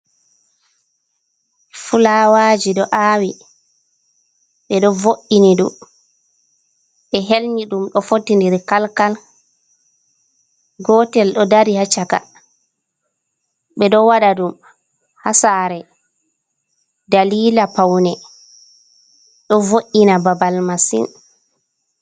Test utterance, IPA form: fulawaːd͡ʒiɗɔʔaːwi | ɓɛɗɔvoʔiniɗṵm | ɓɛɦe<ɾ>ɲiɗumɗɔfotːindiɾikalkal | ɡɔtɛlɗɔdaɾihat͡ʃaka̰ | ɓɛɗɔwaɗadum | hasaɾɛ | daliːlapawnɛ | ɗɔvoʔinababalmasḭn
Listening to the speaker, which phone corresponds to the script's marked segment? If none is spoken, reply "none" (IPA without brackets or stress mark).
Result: l